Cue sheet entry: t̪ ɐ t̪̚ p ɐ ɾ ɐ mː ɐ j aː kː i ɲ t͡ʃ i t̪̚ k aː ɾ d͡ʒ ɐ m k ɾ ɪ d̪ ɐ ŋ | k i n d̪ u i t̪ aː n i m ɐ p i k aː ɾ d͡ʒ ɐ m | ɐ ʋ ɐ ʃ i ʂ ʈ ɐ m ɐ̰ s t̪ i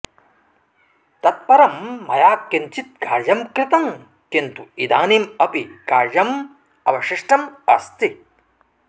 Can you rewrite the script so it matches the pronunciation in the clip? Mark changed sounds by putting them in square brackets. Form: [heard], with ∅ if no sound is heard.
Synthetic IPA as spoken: t̪ ɐ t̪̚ p ɐ ɾ ɐ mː ɐ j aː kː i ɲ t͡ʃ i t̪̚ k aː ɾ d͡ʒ ɐ m k ɾ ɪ [t̪] ɐ ŋ | k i n [t̪] u i [d̪] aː n i m ɐ p i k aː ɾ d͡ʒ ɐ m | ɐ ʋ ɐ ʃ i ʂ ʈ ɐ m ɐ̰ s t̪ i